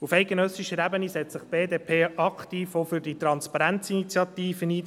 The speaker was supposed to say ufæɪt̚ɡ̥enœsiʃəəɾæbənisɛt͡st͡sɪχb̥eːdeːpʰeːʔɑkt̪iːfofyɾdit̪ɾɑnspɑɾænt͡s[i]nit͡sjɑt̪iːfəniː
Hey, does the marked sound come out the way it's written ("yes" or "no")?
yes